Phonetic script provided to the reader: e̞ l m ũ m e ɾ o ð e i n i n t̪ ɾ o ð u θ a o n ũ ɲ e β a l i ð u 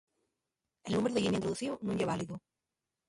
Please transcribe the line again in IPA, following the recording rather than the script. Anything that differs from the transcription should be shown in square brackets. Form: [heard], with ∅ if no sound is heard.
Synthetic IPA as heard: e̞ l [n] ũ m e ɾ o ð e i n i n t̪ ɾ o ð u θ [i] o n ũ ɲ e β a l i ð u